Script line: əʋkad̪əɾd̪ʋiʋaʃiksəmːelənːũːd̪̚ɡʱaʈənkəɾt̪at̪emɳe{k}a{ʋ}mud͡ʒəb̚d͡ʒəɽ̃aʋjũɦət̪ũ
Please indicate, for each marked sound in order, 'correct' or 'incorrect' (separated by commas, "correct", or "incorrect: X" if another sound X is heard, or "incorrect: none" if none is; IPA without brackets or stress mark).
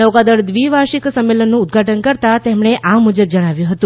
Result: incorrect: ʔ, incorrect: none